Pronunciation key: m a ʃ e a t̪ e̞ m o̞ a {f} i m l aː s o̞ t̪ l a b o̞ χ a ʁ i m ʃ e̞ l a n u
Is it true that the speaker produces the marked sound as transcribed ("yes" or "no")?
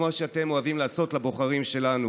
no